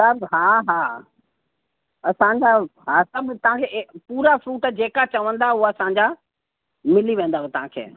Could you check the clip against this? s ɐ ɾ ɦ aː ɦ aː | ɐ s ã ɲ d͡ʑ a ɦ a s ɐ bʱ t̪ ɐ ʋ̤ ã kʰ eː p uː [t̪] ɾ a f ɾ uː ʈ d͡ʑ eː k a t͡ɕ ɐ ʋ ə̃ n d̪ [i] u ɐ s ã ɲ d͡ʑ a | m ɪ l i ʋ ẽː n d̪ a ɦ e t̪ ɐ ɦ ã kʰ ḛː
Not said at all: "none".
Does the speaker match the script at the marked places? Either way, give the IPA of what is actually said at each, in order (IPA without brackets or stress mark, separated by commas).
none, a